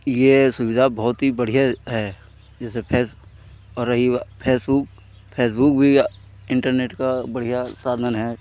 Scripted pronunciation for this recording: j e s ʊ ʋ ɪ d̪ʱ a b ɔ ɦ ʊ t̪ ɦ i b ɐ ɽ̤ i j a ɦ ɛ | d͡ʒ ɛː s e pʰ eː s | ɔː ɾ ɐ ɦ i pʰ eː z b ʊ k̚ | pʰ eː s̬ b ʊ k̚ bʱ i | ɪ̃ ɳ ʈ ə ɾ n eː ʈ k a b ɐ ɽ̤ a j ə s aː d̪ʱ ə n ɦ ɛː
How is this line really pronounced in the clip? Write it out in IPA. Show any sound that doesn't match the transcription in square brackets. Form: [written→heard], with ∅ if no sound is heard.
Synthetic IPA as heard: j e s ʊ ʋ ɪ d̪ʱ a b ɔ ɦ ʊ t̪ ɦ i b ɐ ɽ̤ i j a ɦ ɛ | d͡ʒ ɛː s e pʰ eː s | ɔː ɾ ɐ ɦ i pʰ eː [z→s] b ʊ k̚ | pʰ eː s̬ b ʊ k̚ bʱ i | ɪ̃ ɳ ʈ ə ɾ n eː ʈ k a b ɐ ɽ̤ [a→i] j [ə→a] s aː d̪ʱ ə n ɦ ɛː